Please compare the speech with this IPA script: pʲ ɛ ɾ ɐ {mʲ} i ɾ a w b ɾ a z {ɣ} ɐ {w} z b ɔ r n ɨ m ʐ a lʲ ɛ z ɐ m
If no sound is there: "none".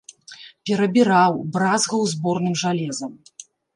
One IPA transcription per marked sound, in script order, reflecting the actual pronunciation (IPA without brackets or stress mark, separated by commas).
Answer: bʲ, ɣ, w